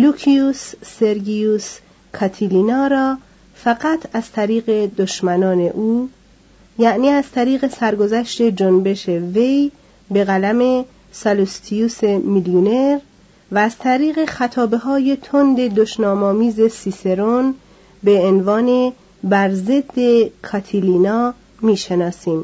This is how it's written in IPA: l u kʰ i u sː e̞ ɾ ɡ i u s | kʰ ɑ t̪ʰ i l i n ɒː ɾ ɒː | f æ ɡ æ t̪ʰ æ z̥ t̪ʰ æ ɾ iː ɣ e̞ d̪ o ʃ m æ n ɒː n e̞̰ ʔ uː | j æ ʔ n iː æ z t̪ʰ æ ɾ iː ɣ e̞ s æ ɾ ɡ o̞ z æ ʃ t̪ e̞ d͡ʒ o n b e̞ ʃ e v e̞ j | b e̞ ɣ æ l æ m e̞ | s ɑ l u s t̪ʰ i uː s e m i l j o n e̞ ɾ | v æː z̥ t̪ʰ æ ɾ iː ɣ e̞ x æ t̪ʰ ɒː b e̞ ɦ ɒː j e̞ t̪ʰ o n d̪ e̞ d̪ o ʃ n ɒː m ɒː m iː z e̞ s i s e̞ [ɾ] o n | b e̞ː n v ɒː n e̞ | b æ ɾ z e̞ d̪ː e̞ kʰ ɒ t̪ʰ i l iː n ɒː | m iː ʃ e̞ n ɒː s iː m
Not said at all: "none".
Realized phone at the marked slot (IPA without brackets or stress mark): ɾ